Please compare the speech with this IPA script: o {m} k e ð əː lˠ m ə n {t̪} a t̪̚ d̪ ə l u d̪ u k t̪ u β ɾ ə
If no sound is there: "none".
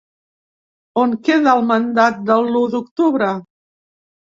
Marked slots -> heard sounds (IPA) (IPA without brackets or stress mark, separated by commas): ŋ, d̪